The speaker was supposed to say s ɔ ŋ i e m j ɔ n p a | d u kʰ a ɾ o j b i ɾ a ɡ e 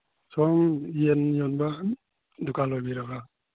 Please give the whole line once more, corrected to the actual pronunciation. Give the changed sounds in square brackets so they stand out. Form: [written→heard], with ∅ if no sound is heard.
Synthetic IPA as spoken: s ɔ ŋ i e [m→n] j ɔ n [p→b] a | d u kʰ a [ɾ→l] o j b i ɾ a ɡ [e→a]